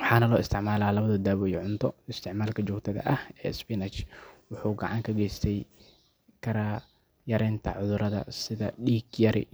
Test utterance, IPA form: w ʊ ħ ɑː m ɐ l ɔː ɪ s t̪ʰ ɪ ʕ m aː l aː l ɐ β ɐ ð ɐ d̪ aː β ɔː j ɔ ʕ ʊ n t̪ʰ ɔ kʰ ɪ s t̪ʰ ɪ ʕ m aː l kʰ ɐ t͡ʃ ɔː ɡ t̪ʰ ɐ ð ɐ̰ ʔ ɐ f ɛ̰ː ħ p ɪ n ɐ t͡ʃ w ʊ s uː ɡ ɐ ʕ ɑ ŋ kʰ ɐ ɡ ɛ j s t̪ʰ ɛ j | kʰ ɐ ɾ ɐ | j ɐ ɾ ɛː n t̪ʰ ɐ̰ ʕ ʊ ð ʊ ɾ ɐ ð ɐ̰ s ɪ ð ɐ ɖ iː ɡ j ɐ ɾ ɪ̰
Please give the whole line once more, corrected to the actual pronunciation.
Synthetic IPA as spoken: w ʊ ħ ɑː n ɐ l ɔː ɪ s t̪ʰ ɪ ʕ m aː l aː l ɐ β ɐ ð ɐ d̪ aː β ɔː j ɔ ʕ ʊ n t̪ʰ ɔ ɪ s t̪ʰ ɪ ʕ m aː l kʰ ɐ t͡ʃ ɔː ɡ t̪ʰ ɐ ð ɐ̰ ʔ ɐ h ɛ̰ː s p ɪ n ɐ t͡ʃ w ʊ ħ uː ɡ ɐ ʕ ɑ ŋ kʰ ɐ ɡ ɛ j s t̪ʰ ɛ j | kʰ ɐ ɾ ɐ | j ɐ ɾ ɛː n t̪ʰ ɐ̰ ʕ ʊ ð ʊ ɾ ɐ ð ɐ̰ s ɪ ð ɐ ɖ iː ɡ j ɐ ɾ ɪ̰